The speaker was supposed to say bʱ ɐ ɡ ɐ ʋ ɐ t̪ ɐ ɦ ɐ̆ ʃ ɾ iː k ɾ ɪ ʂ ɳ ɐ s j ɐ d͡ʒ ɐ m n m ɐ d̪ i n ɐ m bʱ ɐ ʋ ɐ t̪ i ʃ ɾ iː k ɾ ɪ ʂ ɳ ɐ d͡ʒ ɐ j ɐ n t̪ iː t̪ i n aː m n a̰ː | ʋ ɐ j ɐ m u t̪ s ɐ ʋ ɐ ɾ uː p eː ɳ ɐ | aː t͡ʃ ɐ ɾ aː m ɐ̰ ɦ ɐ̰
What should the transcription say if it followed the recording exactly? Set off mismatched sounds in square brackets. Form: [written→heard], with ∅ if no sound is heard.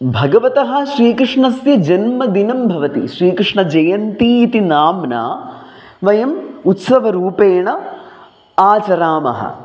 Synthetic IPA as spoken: bʱ ɐ ɡ ɐ ʋ ɐ t̪ ɐ ɦ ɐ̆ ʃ ɾ iː k ɾ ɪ ʂ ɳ ɐ s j ɐ d͡ʒ ɐ [m→∅] n m ɐ d̪ i n ɐ m bʱ ɐ ʋ ɐ t̪ i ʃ ɾ iː k ɾ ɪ ʂ ɳ ɐ d͡ʒ ɐ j ɐ n t̪ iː t̪ i n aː m n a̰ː | ʋ ɐ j ɐ m u t̪ s ɐ ʋ ɐ ɾ uː p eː ɳ ɐ | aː t͡ʃ ɐ ɾ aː m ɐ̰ ɦ ɐ̰